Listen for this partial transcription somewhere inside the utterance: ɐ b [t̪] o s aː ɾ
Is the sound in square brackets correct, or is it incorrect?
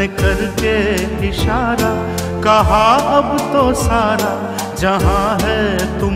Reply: correct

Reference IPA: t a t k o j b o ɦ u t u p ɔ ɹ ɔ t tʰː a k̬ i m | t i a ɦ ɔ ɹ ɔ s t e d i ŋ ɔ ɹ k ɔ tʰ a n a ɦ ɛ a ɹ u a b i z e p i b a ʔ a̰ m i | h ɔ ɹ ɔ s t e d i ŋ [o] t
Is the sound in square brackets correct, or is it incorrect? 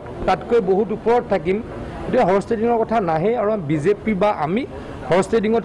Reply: incorrect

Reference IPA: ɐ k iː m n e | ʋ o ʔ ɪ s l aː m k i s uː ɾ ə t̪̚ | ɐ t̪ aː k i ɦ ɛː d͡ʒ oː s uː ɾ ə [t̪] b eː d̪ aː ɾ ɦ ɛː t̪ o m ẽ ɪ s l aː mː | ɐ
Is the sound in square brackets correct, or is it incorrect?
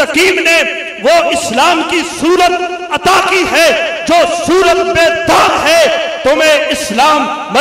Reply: correct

